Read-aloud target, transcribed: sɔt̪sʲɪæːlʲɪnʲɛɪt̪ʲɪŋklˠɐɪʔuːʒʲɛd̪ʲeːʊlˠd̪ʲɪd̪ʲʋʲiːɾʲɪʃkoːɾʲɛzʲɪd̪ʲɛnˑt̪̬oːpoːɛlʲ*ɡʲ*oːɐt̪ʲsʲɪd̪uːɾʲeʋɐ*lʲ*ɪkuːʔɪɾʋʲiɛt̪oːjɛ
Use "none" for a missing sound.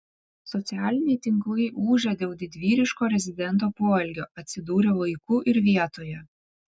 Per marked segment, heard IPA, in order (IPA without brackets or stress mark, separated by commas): ɡʲ, none